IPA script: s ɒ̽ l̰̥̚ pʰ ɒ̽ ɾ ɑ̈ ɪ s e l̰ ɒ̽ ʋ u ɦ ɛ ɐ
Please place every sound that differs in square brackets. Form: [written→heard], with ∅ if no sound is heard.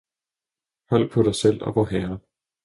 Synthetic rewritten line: [s→h] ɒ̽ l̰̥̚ pʰ ɒ̽ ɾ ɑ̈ ɪ s e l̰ ɒ̽ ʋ [u→ɒ] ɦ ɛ ɐ